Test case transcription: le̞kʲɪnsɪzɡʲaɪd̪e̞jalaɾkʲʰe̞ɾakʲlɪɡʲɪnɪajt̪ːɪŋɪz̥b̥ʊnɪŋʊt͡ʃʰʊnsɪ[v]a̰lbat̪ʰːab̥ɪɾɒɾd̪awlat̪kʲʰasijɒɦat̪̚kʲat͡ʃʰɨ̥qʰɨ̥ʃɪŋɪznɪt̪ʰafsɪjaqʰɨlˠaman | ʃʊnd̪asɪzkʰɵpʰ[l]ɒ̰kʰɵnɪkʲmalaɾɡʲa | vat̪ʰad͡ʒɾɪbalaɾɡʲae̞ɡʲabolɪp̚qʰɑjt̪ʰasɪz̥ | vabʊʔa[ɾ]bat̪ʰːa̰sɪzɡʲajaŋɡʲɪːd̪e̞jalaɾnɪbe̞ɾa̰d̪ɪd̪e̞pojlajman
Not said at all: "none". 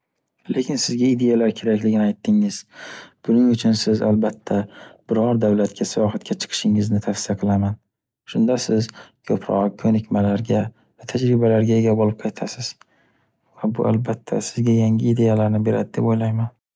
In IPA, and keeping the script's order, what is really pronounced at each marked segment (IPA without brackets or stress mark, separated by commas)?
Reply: z, ɾ, l